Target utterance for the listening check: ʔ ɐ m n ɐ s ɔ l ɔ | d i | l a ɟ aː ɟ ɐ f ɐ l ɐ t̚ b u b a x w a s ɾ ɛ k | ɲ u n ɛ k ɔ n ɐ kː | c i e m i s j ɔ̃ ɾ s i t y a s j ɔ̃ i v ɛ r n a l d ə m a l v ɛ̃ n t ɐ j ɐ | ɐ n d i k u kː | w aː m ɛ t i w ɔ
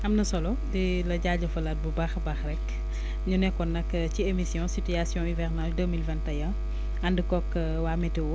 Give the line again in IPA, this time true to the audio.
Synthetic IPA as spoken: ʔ ɐ m n ɐ s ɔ l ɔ | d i | l ɐ ɟ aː ɟ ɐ f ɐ l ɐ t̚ b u b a x b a x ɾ ɛ k | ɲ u n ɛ k ɔ n ɐ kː | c i e m i s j ɔ̃ s i t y a s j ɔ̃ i v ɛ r n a l d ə m i l v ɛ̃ n t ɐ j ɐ | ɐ n d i k ɔ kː | w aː m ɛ t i w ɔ

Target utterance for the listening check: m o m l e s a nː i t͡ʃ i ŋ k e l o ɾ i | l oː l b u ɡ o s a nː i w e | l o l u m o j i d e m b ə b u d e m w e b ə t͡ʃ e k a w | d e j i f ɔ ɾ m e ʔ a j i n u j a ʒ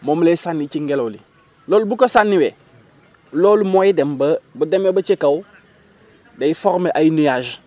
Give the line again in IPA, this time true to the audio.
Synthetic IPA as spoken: m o m l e s a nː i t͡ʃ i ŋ ɡ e l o l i | l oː l b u k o s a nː i w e | l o l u m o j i d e m b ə b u d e m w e b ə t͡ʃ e k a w | d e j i f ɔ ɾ m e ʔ a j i n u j a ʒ

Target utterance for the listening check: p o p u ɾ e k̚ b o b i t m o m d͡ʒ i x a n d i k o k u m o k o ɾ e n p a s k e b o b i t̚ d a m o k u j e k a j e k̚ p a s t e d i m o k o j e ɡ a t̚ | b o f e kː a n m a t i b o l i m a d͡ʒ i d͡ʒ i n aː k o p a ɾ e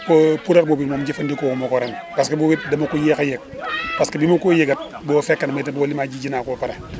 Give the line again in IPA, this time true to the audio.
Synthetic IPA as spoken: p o p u ɾ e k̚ b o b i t m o m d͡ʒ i f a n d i k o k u m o k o ɾ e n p a s k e b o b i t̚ d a m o k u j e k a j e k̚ p a s k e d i m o k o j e ɡ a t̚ | b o f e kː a n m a t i b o l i m a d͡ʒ i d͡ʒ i n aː k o p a ɾ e

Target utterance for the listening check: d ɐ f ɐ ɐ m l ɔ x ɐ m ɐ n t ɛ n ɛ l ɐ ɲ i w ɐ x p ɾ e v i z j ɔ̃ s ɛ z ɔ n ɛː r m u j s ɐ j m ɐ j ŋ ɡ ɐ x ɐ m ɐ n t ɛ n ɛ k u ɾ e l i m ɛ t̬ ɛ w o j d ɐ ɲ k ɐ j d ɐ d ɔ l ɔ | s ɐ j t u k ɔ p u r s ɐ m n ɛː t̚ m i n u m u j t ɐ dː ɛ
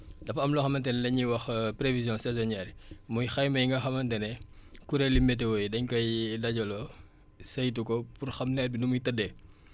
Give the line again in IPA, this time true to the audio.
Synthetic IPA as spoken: d ɐ f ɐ ɐ m l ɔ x ɐ m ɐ n t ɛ n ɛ l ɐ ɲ i w ɐ x p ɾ e v i z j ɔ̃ s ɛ z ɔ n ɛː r m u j x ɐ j m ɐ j ŋ ɡ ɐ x ɐ m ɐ n t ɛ n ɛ k u ɾ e l i m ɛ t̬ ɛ w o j d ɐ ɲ k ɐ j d ɐ ɟ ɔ l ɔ | s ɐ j t u k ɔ p u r x ɐ m n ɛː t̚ b i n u m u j t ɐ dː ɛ

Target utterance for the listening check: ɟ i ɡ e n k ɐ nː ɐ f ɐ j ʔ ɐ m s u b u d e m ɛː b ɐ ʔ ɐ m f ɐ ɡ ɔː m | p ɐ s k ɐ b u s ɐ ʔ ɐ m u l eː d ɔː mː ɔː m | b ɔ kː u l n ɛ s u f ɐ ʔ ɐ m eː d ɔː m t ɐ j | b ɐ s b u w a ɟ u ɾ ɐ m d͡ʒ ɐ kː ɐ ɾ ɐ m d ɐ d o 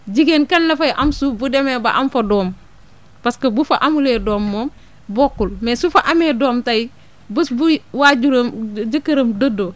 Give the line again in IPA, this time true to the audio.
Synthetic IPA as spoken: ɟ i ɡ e n k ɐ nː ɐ f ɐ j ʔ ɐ m s u b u d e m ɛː b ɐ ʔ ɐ m f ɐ d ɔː m | p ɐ s k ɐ b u f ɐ ʔ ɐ m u l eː d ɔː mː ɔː m | b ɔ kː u l m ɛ s u f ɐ ʔ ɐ m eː d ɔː m t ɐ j | b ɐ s b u w a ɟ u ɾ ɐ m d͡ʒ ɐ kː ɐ ɾ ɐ m d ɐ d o

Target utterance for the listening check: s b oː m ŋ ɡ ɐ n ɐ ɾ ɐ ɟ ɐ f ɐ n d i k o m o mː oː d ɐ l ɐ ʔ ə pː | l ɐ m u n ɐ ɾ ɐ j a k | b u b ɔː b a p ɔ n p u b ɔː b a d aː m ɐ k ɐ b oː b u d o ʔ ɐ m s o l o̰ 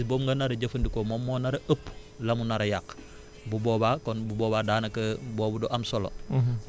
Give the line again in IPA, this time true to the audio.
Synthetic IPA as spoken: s b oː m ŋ ɡ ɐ n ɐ ɾ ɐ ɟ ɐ f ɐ n d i k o m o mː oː n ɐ ɾ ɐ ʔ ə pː | l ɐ m u n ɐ ɾ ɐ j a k | b u b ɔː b a k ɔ n b u b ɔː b a d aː n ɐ k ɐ b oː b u d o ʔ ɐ m s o l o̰

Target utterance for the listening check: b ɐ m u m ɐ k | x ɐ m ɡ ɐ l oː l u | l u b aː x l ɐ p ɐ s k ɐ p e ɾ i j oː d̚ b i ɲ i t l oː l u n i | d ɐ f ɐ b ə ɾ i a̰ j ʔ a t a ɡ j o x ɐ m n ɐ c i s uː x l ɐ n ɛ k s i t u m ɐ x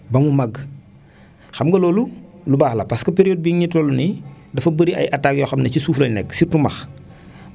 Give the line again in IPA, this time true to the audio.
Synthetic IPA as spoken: b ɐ m u m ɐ ɡ | x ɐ m ɡ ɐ l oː l u | l u b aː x l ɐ p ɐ s k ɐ p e ɾ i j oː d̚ b i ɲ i t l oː l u n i | d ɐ f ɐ b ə ɾ i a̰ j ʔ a t a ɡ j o x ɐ m n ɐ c i s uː f l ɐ n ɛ k s i t u m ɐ x

